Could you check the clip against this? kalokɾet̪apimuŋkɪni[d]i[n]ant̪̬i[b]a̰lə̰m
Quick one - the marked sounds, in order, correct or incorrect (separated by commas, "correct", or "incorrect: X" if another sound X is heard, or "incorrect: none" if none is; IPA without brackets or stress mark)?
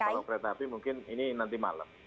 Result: incorrect: n, correct, incorrect: m